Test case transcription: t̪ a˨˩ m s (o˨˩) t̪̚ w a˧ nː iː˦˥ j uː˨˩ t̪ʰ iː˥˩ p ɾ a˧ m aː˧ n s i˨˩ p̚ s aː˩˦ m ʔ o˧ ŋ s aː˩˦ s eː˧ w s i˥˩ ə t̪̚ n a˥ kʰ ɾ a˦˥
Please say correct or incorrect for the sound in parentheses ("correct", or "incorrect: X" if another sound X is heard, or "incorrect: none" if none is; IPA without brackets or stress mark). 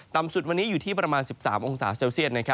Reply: incorrect: u˨˩